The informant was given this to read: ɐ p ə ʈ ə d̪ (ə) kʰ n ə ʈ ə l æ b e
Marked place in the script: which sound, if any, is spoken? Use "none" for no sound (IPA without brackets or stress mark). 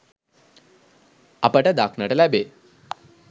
a